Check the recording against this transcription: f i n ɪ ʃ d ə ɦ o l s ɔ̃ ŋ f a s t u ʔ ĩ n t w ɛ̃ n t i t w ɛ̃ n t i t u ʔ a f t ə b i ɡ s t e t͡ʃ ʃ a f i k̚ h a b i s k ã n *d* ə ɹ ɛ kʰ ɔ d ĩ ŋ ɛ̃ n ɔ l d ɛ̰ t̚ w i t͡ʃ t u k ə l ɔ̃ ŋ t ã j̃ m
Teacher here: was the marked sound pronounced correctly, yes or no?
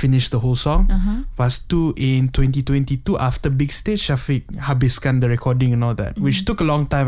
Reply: yes